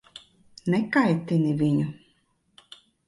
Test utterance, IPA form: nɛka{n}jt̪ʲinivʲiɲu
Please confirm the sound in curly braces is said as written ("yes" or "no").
no